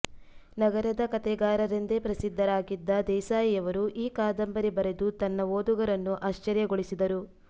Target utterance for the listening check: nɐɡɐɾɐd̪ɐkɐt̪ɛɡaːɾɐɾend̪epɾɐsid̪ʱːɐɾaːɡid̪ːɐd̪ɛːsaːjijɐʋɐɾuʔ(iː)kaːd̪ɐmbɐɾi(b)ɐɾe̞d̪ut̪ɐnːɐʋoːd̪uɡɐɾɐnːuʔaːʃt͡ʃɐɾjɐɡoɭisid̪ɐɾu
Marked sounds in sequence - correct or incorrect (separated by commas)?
correct, correct